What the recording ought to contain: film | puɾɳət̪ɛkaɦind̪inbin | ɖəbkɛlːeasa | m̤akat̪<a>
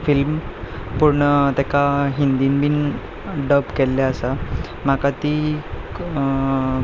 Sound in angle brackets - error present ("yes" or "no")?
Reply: yes